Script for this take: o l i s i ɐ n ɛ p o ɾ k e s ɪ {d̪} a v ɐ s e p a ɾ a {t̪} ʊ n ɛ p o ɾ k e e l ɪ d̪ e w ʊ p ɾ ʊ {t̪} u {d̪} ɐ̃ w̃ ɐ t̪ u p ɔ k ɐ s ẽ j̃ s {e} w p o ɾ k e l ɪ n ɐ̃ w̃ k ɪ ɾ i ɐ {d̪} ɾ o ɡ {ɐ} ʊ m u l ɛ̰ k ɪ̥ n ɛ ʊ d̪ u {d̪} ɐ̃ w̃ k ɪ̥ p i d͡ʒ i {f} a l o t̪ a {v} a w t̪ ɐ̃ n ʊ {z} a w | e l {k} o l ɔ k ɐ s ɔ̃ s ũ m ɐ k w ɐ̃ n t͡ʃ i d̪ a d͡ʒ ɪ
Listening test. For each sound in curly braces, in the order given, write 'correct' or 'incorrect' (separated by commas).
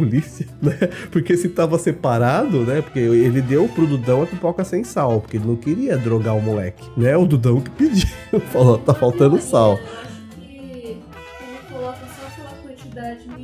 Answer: incorrect, incorrect, incorrect, correct, incorrect, correct, incorrect, correct, correct, incorrect, incorrect, correct